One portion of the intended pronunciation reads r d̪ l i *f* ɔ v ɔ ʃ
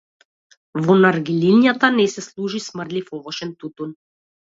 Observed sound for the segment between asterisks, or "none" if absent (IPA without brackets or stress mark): f